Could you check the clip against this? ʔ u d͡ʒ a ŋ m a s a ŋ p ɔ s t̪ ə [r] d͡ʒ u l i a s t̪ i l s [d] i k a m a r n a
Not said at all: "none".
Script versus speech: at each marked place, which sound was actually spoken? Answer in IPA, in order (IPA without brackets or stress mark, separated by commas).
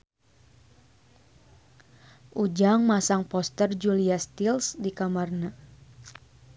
r, d